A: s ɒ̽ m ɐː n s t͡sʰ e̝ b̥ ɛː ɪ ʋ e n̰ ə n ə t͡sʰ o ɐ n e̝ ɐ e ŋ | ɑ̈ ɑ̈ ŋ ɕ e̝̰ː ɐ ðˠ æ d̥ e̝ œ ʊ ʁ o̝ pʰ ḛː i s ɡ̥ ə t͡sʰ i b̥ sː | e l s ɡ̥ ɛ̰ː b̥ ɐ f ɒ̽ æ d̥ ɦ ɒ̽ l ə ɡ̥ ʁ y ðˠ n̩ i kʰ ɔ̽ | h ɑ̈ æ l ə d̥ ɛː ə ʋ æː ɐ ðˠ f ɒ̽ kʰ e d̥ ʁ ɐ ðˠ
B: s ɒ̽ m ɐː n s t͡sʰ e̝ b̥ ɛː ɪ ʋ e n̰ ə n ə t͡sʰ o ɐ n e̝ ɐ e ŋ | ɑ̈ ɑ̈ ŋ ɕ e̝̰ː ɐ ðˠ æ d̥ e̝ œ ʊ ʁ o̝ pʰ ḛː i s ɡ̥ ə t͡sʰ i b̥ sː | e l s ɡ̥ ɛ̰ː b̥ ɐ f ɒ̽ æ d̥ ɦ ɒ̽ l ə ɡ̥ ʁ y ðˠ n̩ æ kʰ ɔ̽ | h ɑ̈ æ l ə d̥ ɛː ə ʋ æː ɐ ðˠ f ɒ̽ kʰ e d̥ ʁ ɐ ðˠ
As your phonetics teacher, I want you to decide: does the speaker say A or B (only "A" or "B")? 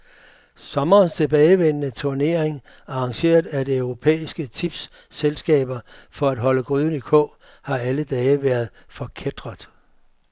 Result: A